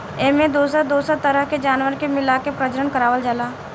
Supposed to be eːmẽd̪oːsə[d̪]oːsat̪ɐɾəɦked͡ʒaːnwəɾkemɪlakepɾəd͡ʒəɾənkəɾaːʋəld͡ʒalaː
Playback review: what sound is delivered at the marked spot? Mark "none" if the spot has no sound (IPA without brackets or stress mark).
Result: d̪